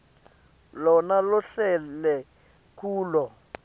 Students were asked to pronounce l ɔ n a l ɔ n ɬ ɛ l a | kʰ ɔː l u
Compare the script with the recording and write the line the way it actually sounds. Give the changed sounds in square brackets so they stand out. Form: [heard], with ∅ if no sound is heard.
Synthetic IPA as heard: l ɔ n a l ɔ [∅] ɬ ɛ l [ɛ] | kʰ [uː] l [ɔ]